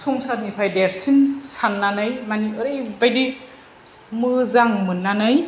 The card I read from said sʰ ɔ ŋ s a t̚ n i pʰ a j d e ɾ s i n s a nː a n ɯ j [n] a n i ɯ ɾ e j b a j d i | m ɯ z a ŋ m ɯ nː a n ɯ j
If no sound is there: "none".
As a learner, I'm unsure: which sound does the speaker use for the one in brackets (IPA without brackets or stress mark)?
m